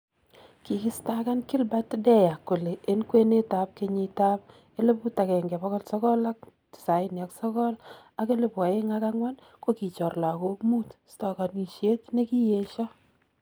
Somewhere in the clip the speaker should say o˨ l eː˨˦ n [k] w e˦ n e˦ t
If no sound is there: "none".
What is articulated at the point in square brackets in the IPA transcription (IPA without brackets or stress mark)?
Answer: k